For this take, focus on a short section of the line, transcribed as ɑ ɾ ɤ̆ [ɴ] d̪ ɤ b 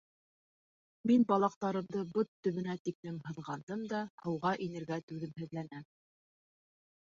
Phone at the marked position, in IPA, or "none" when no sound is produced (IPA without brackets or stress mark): m